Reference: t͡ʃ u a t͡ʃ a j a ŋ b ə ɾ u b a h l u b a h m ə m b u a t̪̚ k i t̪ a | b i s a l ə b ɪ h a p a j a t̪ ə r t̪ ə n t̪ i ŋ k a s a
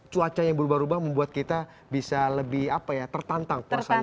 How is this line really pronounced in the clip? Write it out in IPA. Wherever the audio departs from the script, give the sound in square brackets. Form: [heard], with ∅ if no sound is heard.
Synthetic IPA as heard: t͡ʃ u a t͡ʃ a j a ŋ b ə ɾ u b a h [ɾ] u b a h m ə m b u a t̪̚ k i t̪ a | b i s a l ə b ɪ h a p a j a t̪ ə r t̪ [a] n t̪ [a] ŋ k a s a

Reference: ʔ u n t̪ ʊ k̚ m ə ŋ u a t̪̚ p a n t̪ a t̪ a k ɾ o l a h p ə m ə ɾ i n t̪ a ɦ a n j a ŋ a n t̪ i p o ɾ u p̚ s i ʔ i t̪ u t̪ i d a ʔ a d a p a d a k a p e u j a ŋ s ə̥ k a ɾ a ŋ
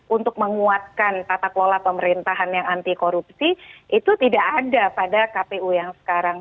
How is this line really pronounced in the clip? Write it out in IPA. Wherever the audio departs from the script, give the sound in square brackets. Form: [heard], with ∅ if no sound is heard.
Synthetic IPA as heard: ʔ u n t̪ ʊ k̚ m ə ŋ u a t̪̚ [k] a n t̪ a t̪ a k [l] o l a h p ə m ə ɾ i n t̪ a ɦ a n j a ŋ a n t̪ i [k] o ɾ u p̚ s i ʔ i t̪ u t̪ i d a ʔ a d a p a d a k a p e u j a ŋ s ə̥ k a ɾ a ŋ

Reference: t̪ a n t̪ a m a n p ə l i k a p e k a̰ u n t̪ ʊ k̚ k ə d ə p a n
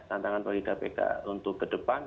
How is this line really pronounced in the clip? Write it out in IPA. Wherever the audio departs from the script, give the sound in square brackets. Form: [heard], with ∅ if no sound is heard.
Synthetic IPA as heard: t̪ a n t̪ a [ŋ] a n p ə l i k a p e k a̰ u n t̪ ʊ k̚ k ə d ə p a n

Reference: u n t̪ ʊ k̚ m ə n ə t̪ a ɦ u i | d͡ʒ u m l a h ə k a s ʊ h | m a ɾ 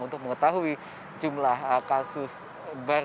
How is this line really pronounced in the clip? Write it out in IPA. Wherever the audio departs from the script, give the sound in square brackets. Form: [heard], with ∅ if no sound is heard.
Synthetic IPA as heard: u n t̪ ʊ k̚ m ə [ŋ] ə t̪ a ɦ u i | d͡ʒ u m l a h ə k a s ʊ [s] | [b] a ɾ

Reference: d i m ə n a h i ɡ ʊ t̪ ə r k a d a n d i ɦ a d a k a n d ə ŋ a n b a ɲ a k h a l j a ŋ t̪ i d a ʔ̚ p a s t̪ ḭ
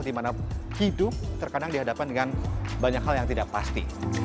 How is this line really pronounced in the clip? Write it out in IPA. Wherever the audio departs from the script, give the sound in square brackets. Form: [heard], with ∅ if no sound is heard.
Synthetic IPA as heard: d i m [a] n a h i [d] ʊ t̪ ə r k a d a [ŋ] d i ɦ a d a [p] a n d ə ŋ a n b a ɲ a k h a l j a ŋ t̪ i d a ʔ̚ p a s t̪ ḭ

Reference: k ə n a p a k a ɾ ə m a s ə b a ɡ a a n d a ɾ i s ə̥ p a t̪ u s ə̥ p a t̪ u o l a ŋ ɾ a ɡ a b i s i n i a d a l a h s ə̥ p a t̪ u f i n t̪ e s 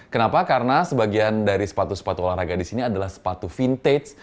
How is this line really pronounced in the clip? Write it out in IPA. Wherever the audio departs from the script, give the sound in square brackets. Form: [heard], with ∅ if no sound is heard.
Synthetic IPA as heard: k ə n a p a k a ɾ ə [n] a s ə b a ɡ [i] a n d a ɾ i s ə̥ p a t̪ u s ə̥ p a t̪ u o l a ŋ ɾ a ɡ a [d] i s i n i a d a l a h s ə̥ p a t̪ u f i n t̪ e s

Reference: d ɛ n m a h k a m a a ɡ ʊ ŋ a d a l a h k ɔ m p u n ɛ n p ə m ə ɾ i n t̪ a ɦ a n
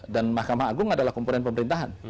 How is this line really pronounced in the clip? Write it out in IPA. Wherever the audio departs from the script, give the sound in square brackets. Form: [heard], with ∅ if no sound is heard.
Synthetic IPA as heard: d [a] n m a h k a m a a ɡ ʊ ŋ a d a l a h k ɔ m p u n ɛ n p ə m ə ɾ i n t̪ a ɦ a n

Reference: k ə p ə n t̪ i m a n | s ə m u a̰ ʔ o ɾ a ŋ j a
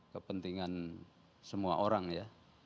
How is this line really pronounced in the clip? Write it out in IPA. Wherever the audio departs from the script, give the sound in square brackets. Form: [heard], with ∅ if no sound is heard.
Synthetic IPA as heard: k ə p ə n t̪ i [ŋ] a n | s ə m u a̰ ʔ o ɾ a ŋ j a

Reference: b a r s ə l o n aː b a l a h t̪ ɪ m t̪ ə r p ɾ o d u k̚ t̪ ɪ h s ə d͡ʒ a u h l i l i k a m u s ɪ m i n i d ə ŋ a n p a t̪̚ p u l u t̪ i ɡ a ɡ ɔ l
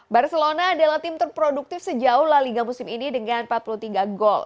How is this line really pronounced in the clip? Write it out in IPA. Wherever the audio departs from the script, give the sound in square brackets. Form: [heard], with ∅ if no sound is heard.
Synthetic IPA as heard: b a r s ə l o n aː [d] a l a h t̪ ɪ m t̪ ə r p ɾ o d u k̚ t̪ ɪ [f] s ə d͡ʒ a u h l [a] l i [ɡ] a m u s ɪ m i n i d ə ŋ a n p a t̪̚ p u l u t̪ i ɡ a ɡ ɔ l

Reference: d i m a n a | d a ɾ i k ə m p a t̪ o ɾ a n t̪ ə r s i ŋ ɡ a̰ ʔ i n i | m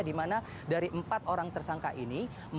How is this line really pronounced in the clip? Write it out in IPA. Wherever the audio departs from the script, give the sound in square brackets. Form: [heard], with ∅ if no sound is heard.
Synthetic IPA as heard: d i m a n a | d a ɾ i [ʔ] ə m p a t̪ o ɾ a [ŋ] t̪ ə r s [a] ŋ [k] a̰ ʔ i n i | m

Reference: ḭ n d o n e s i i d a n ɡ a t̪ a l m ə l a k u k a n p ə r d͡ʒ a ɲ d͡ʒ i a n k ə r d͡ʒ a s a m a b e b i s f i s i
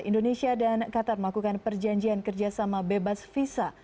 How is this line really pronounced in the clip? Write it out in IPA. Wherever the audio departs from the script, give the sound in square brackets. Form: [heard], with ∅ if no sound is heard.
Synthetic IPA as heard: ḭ n d o n e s i [a] d a n [k] a t̪ a [r] m ə l a k u k a n p ə r d͡ʒ a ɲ d͡ʒ i a n k ə r d͡ʒ a s a m a b e b [a] s f i s [a]

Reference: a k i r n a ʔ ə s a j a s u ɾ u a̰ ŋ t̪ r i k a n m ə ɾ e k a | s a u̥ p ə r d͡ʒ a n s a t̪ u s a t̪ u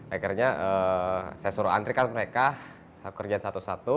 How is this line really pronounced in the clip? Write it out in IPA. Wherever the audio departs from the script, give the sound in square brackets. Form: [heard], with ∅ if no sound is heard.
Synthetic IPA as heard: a k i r [ɲ] a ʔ ə s a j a s u ɾ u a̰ [n] t̪ [ɾ] i k a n m ə ɾ e k a | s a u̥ [k] ə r d͡ʒ a n s a t̪ u s a t̪ u

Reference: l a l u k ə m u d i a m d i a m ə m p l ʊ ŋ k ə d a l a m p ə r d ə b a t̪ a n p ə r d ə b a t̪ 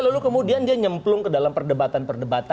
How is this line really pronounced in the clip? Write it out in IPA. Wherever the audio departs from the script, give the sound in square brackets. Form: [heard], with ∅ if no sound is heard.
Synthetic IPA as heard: l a l u k ə m u d i a [n] d i a [ɲ] ə m p l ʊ ŋ k ə d a l a m p ə r d ə b a t̪ a n p ə r d ə b a t̪

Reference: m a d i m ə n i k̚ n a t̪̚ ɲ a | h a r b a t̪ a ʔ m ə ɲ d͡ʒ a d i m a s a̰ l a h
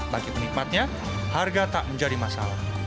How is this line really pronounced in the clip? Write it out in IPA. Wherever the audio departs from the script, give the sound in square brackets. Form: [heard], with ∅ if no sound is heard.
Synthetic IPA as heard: [b] a [ɡ] i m ə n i k̚ [m] a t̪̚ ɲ a | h a r [ɡ] a t̪ a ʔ m ə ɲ d͡ʒ a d i m a s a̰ l a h

